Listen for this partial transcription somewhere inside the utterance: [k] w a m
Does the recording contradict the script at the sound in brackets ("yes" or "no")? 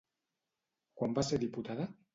no